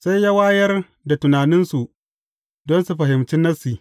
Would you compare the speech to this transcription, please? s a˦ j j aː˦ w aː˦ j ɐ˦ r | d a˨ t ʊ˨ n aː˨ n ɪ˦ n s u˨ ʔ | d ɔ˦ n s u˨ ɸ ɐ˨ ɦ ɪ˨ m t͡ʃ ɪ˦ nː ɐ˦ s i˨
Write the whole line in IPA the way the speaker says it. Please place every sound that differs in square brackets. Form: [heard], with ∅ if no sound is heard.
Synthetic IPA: s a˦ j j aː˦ w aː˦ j ɐ˦ r | d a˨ t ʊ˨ n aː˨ n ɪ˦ n s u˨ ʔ | d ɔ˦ n s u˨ ɸ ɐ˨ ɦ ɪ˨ m t͡ʃ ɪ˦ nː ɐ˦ s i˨